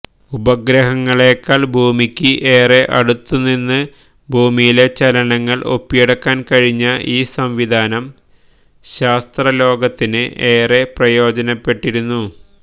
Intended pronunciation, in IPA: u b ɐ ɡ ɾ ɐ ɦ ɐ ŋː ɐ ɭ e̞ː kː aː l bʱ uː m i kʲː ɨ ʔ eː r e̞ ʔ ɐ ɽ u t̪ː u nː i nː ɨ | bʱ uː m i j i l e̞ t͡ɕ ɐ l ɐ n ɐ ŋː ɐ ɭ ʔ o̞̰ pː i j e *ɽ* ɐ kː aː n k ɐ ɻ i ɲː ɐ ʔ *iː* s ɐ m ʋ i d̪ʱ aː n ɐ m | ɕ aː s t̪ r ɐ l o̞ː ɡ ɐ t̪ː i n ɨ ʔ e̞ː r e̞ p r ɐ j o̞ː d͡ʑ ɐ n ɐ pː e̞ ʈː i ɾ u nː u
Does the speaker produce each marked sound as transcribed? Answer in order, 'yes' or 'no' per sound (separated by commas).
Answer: yes, yes